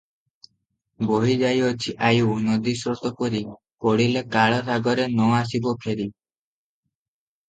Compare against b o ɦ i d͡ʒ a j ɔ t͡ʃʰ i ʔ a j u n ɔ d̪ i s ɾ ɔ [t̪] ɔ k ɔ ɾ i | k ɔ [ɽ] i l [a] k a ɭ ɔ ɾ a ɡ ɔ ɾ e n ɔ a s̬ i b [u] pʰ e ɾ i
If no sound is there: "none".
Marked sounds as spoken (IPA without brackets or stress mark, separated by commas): t̪, ɽ, e, ɔ